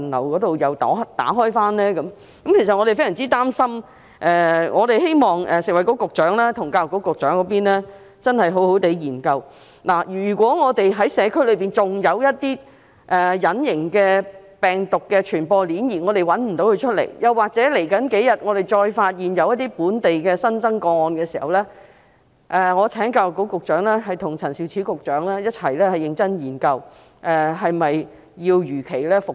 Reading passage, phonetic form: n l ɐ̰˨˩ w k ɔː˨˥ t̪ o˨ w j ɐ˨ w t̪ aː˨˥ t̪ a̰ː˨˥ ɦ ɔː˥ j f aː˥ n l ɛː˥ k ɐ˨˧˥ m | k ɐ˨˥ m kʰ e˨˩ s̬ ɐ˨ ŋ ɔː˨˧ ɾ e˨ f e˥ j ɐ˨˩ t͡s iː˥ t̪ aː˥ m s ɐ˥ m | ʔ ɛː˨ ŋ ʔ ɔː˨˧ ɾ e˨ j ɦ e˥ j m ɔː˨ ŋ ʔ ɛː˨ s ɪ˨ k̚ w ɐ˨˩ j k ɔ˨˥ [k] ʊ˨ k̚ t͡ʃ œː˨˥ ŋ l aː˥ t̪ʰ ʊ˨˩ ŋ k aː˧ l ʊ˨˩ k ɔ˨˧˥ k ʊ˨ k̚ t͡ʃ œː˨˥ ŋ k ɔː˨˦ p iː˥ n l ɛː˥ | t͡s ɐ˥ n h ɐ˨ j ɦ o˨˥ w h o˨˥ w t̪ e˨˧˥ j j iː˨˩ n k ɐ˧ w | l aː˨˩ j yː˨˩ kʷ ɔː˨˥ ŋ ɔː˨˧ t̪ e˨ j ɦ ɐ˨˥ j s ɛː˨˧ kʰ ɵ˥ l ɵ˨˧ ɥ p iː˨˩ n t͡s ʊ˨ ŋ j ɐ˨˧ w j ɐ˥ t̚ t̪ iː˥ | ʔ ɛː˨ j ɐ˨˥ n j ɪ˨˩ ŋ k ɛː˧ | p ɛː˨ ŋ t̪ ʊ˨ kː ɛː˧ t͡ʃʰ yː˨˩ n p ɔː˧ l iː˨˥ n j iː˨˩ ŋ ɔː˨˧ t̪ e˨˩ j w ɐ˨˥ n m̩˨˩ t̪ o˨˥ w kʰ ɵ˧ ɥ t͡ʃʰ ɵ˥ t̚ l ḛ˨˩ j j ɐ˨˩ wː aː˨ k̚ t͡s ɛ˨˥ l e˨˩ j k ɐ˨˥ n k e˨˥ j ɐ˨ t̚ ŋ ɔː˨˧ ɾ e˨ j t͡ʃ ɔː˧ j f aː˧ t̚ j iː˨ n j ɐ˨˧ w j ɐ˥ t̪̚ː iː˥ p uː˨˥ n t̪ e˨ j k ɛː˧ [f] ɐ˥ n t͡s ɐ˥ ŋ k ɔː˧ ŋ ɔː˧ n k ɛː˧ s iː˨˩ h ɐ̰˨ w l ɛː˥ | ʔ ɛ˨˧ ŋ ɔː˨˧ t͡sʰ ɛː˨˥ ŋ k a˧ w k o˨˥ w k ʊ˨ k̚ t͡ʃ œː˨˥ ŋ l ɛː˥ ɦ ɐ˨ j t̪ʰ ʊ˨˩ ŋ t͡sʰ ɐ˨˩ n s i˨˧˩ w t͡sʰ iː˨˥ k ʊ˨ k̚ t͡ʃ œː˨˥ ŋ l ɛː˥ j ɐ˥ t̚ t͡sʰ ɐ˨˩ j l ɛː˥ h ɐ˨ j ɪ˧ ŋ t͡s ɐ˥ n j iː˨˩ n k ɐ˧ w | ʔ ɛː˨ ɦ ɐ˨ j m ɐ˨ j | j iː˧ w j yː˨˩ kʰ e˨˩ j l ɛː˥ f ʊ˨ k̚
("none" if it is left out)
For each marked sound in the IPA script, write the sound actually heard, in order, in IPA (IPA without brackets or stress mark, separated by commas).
k, s